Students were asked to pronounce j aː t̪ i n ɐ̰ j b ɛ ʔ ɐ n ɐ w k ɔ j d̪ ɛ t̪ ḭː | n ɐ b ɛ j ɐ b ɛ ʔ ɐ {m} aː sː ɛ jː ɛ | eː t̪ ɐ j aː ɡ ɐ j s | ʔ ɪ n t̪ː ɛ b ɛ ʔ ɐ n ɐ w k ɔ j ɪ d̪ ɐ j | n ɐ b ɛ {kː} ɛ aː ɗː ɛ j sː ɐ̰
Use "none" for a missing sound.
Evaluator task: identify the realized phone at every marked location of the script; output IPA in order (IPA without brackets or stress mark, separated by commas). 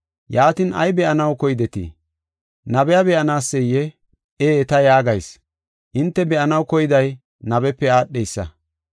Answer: n, pː